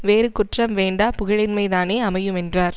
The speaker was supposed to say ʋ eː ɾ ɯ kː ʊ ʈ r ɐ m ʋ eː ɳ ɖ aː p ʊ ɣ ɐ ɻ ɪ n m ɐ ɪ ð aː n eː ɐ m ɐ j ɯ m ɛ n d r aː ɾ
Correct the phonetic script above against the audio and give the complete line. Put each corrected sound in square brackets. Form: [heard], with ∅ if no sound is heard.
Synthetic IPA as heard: ʋ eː ɾ ɯ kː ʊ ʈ r ɐ m ʋ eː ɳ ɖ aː p ʊ ɣ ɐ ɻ ɪ n m ɐ ɪ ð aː n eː ɐ m ɐ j ɯ m ɛ n d r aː ɾ